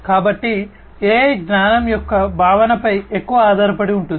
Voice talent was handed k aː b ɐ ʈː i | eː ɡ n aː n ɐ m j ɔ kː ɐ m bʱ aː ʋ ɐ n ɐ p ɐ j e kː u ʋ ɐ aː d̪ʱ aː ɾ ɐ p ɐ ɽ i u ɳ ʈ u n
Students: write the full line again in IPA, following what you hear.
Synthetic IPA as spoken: k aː b ɐ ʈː i | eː ɡ n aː n ɐ m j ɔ kː ɐ bʱ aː ʋ ɐ n ɐ p ɐ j e kː u ʋ ɐ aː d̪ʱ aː ɾ ɐ p ɐ ɽ i u ɳ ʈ u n